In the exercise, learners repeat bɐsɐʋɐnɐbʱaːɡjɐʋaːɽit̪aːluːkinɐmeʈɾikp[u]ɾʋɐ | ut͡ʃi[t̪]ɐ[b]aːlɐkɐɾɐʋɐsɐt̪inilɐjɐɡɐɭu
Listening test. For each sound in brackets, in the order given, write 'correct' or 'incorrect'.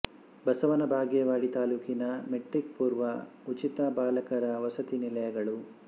incorrect: uː, correct, correct

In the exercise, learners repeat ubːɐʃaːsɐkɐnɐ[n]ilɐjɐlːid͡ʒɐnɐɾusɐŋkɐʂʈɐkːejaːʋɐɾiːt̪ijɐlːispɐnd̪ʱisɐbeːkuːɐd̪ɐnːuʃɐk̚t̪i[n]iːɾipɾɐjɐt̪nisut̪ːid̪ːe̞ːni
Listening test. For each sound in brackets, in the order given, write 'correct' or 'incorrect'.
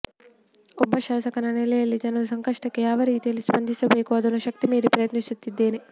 correct, incorrect: m

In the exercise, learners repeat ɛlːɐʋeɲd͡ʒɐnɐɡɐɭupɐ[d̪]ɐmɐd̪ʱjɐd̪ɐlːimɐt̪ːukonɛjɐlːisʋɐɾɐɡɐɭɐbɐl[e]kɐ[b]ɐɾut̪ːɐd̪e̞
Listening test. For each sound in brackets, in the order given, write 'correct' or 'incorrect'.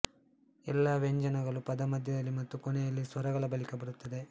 correct, incorrect: i, correct

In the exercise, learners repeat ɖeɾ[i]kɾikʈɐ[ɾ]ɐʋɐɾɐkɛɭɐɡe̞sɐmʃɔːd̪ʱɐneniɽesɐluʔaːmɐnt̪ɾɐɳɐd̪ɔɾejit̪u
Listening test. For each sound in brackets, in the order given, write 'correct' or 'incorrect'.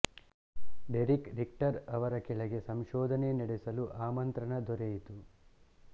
correct, correct

